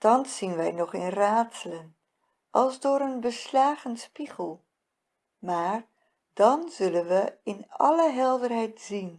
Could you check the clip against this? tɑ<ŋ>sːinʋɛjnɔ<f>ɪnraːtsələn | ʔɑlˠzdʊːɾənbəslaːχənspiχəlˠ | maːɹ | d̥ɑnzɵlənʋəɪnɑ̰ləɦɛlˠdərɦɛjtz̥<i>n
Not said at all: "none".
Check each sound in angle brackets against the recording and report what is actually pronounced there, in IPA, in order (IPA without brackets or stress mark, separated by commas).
n, χ, i